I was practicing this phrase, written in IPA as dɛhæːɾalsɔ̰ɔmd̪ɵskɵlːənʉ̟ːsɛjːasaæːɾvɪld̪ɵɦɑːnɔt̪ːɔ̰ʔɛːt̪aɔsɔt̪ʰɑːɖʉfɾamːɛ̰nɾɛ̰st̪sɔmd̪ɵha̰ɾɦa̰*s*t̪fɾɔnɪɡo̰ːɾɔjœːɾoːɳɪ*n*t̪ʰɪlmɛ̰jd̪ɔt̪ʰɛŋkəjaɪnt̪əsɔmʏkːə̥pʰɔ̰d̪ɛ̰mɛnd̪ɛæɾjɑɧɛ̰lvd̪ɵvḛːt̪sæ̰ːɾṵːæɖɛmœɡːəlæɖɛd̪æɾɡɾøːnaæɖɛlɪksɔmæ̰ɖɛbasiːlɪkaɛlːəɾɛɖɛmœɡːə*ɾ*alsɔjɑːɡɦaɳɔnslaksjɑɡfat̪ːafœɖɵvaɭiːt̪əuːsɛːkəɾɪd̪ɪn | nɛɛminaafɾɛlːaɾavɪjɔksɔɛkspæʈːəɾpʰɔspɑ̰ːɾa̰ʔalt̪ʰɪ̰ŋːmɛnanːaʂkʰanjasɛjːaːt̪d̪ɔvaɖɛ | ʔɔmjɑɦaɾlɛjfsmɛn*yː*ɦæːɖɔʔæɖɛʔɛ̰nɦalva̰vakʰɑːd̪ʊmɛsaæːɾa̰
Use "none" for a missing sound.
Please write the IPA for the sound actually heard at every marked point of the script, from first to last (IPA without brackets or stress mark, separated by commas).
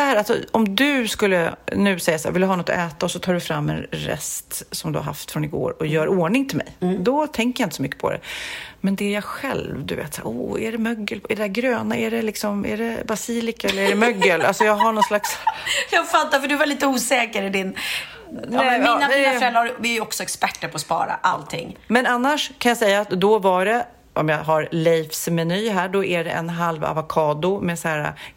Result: f, ŋ, l, yː